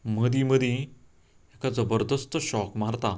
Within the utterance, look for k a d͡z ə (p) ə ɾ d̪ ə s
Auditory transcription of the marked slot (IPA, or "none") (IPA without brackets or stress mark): b